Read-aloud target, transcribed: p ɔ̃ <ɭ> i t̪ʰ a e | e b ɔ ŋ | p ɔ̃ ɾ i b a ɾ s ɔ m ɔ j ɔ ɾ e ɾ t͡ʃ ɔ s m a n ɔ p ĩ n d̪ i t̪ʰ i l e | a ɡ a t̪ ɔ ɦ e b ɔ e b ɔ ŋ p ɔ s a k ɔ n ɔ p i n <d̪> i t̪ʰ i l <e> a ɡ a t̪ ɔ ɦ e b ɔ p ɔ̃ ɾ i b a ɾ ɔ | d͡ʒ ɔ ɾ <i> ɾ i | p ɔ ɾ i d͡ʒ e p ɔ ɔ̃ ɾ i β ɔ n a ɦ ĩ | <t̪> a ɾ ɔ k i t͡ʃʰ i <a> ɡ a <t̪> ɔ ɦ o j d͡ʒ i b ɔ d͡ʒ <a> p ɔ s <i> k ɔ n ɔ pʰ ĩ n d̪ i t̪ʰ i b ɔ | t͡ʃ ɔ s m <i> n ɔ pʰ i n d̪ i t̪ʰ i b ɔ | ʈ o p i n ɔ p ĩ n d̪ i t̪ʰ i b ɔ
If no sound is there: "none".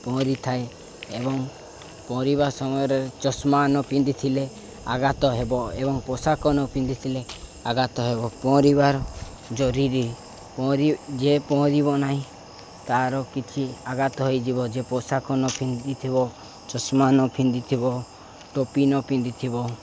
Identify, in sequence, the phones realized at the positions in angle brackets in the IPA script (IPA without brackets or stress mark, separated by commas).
ɾ, d̪, e, i, t̪, a, t̪, e, a, a